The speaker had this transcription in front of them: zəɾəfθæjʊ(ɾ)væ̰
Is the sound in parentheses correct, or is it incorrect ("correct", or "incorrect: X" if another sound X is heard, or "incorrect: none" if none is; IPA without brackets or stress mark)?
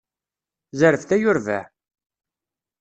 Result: correct